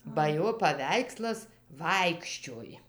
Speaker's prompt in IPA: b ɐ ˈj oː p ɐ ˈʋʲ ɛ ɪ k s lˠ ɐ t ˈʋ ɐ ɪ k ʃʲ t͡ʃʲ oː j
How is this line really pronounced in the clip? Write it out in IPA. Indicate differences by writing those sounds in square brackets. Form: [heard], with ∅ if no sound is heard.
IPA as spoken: b ɐ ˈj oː p ɐ ˈʋʲ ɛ ɪ k s lˠ ɐ [s] ˈʋ ɐ ɪ k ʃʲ t͡ʃʲ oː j